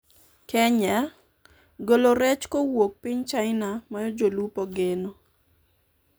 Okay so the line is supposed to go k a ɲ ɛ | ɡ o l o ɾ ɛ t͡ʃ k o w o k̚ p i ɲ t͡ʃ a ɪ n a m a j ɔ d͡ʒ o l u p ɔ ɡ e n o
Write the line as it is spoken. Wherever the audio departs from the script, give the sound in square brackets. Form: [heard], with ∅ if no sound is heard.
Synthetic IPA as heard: k [ɛ] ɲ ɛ | ɡ o l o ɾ ɛ t͡ʃ k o w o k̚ p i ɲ t͡ʃ a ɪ n a m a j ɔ d͡ʒ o l u p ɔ ɡ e n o